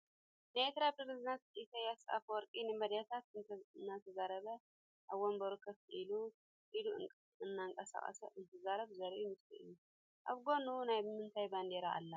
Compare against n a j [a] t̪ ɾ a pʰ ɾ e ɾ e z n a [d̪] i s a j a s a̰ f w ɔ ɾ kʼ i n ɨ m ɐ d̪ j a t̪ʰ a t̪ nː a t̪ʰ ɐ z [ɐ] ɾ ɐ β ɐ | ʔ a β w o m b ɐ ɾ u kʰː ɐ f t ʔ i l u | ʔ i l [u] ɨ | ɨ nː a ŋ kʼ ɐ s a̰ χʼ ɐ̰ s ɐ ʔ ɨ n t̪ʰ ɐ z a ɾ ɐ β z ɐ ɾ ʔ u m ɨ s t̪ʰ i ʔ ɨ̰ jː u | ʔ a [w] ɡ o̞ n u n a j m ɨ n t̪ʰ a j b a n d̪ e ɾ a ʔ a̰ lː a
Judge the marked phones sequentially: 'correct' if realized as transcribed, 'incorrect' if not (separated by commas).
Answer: incorrect, incorrect, incorrect, correct, incorrect